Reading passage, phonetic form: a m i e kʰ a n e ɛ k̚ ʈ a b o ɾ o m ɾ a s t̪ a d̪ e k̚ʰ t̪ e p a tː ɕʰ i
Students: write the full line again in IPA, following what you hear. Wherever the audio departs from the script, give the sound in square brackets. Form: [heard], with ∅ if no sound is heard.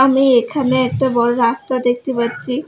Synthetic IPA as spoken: a m i e kʰ a n e ɛ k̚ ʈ a b [ɔ] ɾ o [∅] ɾ a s t̪ a d̪ e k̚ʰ t̪ e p a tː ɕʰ i